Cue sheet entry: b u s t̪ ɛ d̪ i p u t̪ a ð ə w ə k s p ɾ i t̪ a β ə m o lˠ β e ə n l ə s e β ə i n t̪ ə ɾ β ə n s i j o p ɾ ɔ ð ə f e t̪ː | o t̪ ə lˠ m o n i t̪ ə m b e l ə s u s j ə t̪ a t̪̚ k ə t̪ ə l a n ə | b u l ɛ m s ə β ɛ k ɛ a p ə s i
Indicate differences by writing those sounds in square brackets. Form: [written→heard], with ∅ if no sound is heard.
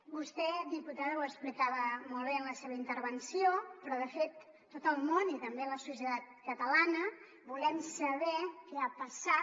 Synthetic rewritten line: b u s t̪ ɛ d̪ i p u t̪ a ð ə w ə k s p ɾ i t̪ a β ə m o lˠ β e ə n l ə s e β ə i n t̪ ə ɾ β ə n s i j o p ɾ ɔ ð ə f e t̪ː | o t̪ ə lˠ m o n i t̪ ə m b e l ə s u s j ə t̪ a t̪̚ k ə t̪ ə l a n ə | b u l ɛ m s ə β ɛ k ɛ a p ə s [i→a]